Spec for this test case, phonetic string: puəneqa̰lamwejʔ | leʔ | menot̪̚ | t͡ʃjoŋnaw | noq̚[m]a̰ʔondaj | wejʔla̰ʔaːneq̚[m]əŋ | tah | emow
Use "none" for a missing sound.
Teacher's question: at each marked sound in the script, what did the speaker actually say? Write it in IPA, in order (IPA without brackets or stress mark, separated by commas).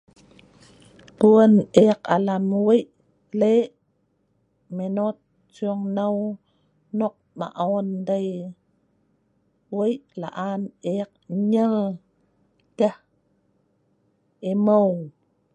m, ɲ